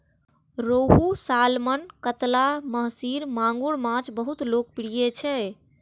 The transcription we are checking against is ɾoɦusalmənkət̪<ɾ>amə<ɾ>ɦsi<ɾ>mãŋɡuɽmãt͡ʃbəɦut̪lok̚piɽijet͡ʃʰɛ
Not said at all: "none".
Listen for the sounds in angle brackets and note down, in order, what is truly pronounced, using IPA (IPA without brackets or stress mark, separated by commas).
l, none, ɾ